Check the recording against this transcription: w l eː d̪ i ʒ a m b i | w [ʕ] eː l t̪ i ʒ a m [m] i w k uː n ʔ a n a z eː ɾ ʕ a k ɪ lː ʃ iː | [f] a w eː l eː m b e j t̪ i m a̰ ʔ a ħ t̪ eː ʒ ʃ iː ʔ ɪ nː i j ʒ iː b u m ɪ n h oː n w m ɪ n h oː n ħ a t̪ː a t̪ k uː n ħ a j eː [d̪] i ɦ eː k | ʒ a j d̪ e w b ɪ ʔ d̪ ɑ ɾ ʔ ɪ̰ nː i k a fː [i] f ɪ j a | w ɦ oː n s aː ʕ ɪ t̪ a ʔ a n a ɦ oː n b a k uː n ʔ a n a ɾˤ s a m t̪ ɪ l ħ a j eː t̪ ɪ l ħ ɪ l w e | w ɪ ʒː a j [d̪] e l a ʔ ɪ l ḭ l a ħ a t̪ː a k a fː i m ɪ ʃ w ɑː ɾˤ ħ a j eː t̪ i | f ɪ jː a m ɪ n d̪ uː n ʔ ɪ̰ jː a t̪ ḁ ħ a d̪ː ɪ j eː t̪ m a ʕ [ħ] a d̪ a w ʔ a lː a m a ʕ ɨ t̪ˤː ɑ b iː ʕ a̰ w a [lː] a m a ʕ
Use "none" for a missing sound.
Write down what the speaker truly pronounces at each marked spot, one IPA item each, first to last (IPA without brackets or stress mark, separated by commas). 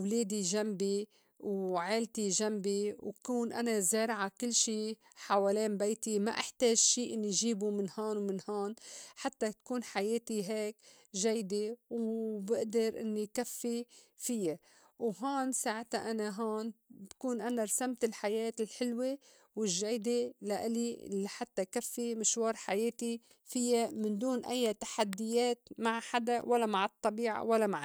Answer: ʕ, b, ħ, t̪, i, d̪, ħ, lː